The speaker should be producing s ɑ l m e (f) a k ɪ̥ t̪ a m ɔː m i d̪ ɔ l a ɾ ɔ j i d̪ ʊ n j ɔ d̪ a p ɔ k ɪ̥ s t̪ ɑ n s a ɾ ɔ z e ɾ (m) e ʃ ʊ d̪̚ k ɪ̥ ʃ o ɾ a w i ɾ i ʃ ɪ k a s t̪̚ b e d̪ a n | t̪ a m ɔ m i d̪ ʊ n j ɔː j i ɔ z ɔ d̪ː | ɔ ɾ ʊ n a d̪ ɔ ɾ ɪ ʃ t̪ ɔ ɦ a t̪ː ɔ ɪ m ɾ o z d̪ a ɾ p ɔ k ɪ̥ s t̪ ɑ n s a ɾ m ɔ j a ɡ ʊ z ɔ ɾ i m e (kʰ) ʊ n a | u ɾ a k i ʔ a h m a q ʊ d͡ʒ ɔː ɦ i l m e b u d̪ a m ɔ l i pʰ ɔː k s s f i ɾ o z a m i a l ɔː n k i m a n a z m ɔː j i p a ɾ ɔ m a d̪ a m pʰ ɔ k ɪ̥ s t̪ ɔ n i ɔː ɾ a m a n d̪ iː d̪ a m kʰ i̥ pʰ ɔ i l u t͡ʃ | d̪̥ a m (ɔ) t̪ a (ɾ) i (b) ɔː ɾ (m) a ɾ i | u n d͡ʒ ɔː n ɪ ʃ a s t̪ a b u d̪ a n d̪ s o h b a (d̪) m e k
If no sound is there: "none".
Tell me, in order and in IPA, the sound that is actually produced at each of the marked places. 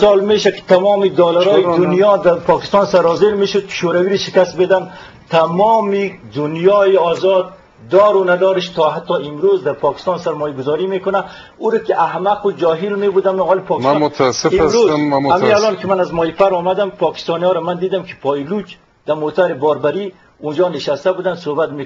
ʃ, m, k, o, ɾ, b, b, t̪

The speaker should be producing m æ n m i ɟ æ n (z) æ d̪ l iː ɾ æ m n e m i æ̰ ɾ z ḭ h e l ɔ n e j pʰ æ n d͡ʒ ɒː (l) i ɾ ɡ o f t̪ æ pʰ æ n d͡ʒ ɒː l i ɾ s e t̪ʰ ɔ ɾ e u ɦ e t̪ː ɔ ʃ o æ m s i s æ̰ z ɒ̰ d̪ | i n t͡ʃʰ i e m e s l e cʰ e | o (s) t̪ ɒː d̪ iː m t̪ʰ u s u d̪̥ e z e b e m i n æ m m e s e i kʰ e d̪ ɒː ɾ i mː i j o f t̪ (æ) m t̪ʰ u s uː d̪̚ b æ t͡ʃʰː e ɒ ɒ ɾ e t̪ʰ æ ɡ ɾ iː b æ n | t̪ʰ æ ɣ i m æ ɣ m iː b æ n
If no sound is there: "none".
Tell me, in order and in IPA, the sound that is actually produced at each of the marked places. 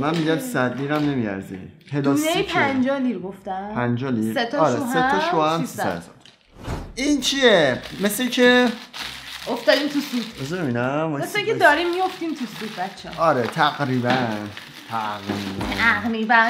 s, l, f, i

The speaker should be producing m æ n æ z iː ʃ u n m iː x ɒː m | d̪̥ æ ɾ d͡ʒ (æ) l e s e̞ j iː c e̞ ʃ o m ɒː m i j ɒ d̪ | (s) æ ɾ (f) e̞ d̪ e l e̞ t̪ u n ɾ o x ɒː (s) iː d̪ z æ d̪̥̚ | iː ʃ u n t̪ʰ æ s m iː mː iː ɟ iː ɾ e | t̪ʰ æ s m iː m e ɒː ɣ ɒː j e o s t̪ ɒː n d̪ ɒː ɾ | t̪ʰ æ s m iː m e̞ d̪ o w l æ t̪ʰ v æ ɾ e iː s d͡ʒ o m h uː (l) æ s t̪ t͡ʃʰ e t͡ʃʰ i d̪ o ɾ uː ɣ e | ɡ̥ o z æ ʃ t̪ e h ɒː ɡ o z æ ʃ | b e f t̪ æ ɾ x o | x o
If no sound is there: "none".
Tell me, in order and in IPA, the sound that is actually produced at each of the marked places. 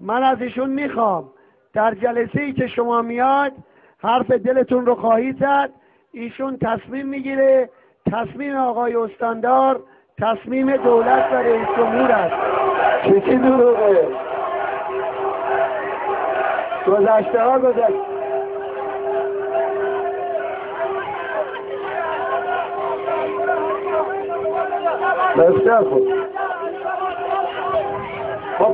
æ, h, f, h, ɾ

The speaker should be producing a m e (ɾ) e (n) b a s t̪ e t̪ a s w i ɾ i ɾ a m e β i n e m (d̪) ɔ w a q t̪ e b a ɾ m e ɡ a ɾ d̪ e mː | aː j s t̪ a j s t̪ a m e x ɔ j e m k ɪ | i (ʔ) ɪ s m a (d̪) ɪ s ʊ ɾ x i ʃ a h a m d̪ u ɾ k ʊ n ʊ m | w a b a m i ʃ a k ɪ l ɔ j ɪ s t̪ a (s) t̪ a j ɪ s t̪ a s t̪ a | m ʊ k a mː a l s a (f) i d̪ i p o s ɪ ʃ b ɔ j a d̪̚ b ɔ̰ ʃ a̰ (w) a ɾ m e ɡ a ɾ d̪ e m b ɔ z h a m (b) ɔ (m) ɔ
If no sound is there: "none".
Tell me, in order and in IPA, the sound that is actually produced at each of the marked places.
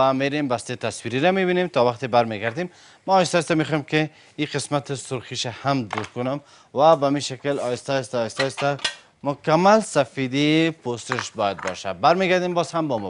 ɾ, m, t̪, q, t̪, s, f, b, b, m

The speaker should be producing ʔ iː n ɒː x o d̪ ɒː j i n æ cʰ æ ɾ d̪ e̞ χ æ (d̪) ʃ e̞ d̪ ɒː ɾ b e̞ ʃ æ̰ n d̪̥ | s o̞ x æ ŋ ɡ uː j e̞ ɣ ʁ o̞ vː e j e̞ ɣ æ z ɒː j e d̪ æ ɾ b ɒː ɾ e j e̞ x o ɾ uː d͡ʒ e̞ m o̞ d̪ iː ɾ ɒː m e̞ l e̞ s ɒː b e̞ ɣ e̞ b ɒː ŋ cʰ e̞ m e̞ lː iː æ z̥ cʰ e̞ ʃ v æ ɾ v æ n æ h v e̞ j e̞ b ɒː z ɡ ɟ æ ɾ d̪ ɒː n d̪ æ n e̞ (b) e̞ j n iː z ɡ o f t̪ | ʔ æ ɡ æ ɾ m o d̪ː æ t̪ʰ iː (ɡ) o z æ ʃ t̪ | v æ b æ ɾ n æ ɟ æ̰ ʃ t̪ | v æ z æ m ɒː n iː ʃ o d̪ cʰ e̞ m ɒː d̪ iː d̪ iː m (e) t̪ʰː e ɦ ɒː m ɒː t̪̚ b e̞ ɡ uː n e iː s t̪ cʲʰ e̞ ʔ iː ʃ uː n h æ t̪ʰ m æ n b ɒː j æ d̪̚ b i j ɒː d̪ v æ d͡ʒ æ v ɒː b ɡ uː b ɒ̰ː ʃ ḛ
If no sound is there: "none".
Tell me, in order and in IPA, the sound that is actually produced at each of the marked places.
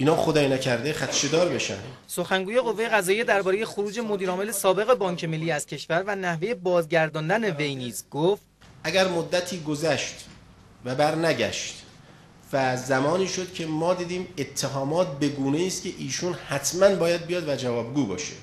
t̪, v, ɡ, e

